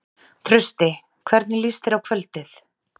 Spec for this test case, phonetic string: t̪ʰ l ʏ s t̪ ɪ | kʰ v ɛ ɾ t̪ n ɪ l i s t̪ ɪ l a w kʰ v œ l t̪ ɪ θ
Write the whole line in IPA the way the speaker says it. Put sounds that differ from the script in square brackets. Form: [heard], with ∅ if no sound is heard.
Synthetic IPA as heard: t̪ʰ [ɾ] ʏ s t̪ ɪ | kʰ v ɛ ɾ t̪ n ɪ l i s t̪ ɪ [ɾ] a w kʰ v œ l t̪ ɪ θ